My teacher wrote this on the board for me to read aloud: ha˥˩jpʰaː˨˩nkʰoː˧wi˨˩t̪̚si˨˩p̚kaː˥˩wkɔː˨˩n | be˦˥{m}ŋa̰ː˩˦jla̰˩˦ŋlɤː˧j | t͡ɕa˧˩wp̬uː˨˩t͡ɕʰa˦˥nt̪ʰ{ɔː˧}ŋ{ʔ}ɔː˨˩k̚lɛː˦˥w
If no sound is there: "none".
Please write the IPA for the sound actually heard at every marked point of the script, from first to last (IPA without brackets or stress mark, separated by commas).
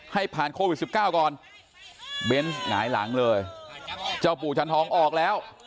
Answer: n, ɔː˩˦˥, ʔ